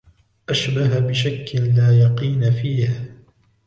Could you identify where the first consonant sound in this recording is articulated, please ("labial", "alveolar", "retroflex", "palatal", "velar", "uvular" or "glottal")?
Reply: glottal